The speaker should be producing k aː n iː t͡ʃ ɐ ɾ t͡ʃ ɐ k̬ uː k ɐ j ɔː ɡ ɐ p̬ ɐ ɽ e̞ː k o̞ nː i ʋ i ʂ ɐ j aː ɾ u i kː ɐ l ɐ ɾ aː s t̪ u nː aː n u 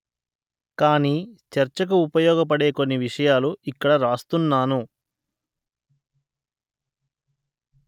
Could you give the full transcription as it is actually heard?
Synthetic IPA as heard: k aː n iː t͡ʃ ɐ ɾ t͡ʃ ɐ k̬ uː p ɐ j ɔː ɡ ɐ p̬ ɐ ɽ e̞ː k o̞ nː i ʋ i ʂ ɐ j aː l u i kː ɐ ɽ ɐ ɾ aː s t̪ u nː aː n u